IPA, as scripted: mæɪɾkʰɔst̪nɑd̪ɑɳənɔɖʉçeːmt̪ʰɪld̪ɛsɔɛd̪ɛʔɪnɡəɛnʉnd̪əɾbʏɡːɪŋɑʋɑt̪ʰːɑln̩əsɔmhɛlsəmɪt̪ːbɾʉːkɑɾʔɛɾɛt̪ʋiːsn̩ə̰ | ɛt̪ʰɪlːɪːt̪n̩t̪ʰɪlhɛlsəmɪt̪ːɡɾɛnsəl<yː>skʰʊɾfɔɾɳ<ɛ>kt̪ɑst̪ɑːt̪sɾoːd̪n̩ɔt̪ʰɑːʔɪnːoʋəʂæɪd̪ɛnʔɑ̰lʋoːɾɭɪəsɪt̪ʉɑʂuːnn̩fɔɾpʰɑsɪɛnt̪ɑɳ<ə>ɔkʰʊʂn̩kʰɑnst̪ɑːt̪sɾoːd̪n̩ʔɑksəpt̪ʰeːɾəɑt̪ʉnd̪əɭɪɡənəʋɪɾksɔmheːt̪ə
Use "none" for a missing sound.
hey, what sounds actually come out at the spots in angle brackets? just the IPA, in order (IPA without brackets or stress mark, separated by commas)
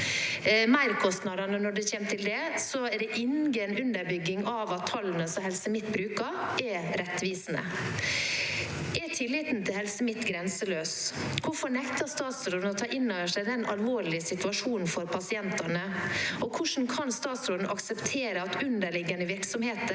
øː, ɛ, ə